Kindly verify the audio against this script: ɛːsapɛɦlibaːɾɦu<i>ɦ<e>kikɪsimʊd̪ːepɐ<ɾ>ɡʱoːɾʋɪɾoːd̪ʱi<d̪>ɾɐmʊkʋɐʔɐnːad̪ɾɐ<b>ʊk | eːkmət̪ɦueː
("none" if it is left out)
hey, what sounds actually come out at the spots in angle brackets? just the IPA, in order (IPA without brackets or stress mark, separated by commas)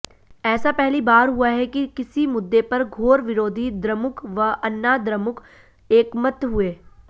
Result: a, ɛ, ɾ, d̪, m